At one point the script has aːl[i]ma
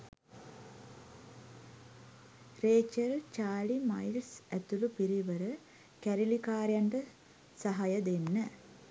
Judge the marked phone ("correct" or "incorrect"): correct